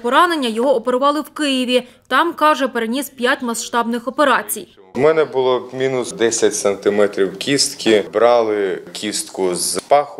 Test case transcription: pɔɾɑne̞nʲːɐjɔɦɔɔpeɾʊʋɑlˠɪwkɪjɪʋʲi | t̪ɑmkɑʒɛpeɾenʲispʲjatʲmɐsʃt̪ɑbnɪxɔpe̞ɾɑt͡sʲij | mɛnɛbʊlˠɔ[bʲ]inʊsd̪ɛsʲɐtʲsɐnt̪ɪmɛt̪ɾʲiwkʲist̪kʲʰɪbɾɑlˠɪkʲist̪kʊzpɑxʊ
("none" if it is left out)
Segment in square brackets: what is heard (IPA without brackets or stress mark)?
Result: mʲ